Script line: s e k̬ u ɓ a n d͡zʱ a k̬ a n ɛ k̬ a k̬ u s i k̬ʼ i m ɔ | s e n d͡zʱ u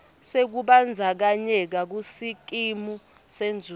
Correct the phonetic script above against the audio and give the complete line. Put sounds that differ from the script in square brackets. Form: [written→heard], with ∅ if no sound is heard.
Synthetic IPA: s e k̬ u ɓ a n d͡zʱ a k̬ a [n→ɲ] ɛ k̬ a k̬ u s i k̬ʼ i m [ɔ→u] | s e n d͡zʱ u